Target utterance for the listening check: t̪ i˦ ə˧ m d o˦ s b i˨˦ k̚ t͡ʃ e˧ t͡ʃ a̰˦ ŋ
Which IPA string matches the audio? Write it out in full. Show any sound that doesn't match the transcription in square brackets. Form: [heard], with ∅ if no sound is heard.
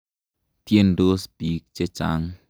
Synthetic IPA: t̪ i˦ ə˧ [n] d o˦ s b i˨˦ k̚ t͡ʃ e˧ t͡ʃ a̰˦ ŋ